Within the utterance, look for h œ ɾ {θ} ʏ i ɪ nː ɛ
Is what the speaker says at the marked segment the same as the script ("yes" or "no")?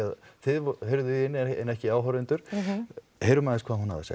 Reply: no